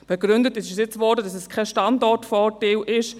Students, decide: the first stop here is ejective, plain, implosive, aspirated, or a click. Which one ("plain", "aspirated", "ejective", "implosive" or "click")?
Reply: plain